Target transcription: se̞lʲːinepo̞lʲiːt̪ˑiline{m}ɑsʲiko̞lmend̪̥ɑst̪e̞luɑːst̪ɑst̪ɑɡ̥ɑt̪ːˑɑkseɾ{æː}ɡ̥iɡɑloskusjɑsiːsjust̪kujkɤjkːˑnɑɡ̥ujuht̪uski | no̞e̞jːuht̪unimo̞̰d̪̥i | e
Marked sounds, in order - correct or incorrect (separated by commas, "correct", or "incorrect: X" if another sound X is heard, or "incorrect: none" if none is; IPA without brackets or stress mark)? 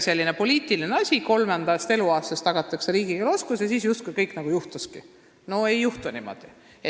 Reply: incorrect: none, incorrect: iː